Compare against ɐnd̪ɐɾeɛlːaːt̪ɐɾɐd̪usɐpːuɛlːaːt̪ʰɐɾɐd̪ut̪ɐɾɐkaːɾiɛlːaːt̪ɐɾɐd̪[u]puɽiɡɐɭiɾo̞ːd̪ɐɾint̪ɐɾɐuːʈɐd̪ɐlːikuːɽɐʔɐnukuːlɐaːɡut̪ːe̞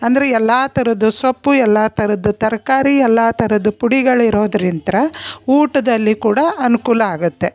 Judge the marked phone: correct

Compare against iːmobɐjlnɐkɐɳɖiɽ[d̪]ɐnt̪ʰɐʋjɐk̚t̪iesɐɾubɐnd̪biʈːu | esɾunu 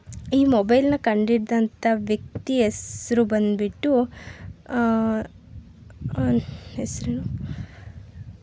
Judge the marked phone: correct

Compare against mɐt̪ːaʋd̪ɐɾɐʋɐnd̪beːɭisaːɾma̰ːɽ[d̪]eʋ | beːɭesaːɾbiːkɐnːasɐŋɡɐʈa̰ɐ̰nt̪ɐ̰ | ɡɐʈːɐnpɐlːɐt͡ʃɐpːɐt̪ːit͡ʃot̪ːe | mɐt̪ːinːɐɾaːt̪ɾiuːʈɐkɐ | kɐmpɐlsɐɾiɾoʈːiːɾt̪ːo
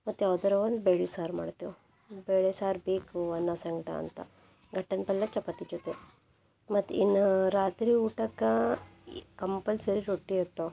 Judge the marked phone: incorrect: t̪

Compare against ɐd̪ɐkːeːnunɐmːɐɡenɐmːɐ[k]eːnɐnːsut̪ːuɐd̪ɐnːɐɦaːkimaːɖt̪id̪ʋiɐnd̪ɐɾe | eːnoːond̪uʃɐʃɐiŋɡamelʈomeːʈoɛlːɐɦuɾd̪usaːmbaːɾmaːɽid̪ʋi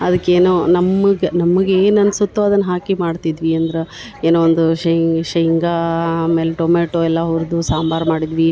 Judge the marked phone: incorrect: ɡ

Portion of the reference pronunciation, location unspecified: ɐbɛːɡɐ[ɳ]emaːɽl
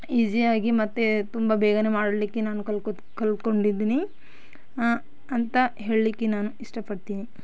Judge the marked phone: incorrect: n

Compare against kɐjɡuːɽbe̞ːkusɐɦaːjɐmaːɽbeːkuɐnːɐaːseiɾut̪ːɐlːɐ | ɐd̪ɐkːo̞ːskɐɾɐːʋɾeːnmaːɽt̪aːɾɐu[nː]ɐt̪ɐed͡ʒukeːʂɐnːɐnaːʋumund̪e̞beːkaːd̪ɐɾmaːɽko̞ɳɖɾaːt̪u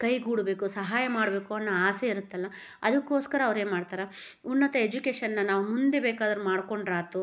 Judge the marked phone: correct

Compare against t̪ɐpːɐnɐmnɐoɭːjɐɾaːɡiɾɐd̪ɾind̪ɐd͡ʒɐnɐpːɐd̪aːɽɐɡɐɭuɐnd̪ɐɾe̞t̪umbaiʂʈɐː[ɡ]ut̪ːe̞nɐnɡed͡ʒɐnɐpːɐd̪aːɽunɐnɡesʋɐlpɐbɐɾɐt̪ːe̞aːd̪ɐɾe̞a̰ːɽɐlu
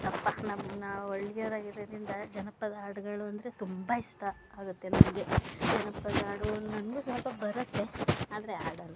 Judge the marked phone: correct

